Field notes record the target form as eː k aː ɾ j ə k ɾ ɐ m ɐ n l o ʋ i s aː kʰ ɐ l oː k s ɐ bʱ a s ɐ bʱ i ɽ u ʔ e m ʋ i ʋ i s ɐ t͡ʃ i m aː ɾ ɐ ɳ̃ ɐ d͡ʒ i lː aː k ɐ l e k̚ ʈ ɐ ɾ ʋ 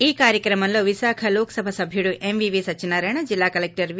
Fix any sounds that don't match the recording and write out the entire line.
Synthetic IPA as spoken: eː k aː ɾ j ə k ɾ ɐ m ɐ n l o ʋ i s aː kʰ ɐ l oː k s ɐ bʱ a s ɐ bʱ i ɽ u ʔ e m ʋ i ʋ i s ɐ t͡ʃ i n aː ɾ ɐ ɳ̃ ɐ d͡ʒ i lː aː k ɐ l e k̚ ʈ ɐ ɾ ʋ